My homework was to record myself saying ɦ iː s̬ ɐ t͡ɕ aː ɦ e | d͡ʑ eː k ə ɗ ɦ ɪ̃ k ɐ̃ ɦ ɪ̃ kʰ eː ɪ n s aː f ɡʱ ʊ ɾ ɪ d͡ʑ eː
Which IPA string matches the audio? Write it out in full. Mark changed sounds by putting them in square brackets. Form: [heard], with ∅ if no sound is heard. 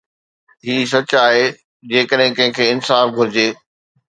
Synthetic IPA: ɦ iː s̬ ɐ t͡ɕ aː ɦ e | d͡ʑ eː k ə ɗ ɦ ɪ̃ k ɐ̃ ɦ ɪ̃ kʰ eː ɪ n s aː f ɡʱ ʊ ɾ ɪ d͡ʑ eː